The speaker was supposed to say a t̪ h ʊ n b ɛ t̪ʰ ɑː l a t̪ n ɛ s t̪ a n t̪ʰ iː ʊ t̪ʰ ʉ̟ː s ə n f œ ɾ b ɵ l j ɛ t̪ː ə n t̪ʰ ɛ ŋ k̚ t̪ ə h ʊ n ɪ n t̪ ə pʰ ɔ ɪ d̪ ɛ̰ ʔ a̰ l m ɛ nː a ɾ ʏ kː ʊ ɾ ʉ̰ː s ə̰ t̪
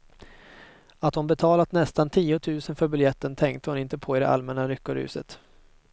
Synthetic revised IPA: a t̪ h ʊ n b ɛ t̪ʰ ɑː l a t̪ n ɛ s t̪ a n t̪ʰ iː ʊ t̪ʰ ʉ̟ː s ə n f œ ɾ b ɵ l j ɛ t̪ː ə n t̪ʰ ɛ ŋ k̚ t̪ ə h ʊ n ɪ n t̪ ə pʰ ɔ ɪ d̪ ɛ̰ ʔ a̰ l m ɛ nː a ɾ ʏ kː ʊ ɾ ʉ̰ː s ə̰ t̪